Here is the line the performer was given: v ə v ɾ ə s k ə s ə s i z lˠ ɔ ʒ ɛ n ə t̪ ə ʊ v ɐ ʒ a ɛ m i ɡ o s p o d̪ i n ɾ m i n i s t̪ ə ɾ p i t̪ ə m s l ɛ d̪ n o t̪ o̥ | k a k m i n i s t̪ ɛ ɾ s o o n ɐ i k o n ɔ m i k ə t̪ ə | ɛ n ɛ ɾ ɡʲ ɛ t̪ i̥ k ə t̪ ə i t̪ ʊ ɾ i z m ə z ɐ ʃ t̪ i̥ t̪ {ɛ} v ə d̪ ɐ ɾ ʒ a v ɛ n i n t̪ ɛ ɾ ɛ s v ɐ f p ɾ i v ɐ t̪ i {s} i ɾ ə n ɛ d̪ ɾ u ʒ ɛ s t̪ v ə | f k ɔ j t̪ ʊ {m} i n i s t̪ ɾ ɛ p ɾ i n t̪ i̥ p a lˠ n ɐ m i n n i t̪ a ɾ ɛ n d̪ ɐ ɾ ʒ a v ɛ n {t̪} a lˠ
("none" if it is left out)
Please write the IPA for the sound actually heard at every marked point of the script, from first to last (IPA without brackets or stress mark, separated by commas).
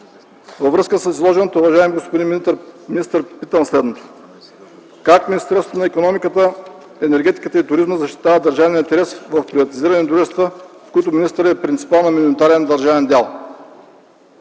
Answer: a, z, m, d̪